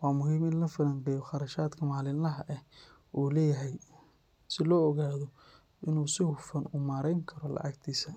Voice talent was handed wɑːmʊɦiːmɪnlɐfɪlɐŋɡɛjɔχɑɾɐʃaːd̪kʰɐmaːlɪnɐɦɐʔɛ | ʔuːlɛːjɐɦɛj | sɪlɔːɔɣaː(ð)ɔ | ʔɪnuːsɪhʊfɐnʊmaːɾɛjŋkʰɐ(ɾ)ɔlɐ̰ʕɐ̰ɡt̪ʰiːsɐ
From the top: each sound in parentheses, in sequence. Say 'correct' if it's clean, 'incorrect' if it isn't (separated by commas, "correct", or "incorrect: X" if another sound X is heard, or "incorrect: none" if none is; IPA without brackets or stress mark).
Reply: correct, correct